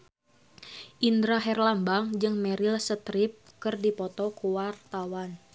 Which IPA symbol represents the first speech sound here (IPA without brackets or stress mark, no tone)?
ʔ